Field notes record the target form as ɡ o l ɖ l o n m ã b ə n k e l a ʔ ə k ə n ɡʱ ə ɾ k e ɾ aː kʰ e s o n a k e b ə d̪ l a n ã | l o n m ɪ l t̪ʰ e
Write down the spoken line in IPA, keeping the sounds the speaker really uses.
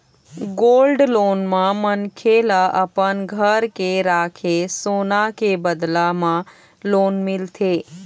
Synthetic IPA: ɡ o l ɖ l o n m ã m ə n kʰ e l a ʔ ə p ə n ɡʱ ə ɾ k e ɾ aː kʰ e s o n a k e b ə d̪ l a m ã | l o n m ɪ l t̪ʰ e